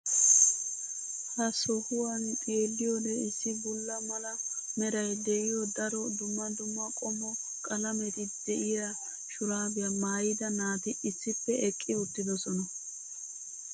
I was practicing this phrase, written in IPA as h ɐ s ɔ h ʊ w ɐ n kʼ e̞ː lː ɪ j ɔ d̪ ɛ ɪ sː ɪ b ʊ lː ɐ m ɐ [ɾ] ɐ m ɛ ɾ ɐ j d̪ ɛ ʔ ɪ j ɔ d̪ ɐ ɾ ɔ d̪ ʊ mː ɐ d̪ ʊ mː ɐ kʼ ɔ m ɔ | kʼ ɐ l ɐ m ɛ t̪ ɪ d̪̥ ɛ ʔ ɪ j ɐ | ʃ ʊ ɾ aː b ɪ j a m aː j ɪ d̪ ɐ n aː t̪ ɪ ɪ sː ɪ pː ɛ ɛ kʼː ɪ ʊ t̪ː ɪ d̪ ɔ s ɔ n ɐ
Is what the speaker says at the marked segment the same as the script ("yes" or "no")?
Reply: no